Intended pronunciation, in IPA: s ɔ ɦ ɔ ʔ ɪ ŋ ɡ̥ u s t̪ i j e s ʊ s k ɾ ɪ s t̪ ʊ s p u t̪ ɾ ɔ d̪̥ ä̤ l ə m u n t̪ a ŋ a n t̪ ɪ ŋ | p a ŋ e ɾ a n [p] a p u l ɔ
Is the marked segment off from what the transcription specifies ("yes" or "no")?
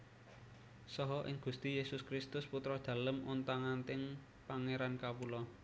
yes